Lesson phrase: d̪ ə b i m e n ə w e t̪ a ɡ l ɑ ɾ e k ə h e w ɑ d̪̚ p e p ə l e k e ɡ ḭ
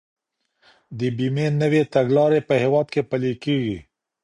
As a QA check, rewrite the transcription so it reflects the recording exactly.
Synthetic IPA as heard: d̪ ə b i m e n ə w e t̪ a ɡ l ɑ ɾ e p ə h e w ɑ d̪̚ k e p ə l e k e ɡ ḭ